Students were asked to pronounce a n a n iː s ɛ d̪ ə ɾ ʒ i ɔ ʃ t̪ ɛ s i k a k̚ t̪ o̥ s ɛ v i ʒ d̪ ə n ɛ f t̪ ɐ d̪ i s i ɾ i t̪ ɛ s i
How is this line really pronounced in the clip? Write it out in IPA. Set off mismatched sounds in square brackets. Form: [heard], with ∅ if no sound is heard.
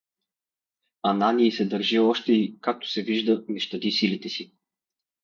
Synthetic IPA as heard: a n a n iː s ɛ d̪ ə ɾ ʒ i ɔ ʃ t̪ ɛ [∅] i k a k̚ t̪ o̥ s ɛ v i ʒ d̪ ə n ɛ [ʃ] t̪ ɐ d̪ i s i [l] i t̪ ɛ s i